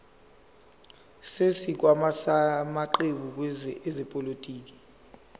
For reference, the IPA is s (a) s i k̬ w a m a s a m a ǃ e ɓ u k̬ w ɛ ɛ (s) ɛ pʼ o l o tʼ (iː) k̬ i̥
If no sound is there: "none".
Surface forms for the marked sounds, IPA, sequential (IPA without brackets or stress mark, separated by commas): e, z, iː